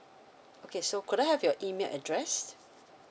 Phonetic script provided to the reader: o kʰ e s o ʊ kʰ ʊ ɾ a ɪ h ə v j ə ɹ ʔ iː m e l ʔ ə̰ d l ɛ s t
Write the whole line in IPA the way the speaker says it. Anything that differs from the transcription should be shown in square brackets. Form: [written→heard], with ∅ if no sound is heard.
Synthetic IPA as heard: o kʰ e s o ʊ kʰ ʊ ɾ a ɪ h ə v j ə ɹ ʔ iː m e l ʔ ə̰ d [l→ɹ] ɛ s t